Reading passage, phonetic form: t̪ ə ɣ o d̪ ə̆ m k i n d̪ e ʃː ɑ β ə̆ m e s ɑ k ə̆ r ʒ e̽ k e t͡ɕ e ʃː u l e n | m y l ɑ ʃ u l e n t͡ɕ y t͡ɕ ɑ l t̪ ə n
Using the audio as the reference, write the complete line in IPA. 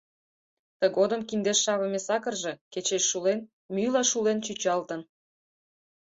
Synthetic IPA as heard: t̪ ə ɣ o d̪ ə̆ m k i n d̪ e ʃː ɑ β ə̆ m e s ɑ k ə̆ r ʒ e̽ k e t͡ɕ e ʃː u l e n | m y l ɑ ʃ u l e n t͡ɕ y t͡ɕ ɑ l t̪ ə n